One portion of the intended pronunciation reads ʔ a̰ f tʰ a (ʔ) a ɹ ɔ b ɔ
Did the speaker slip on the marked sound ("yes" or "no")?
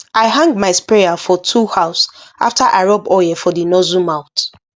no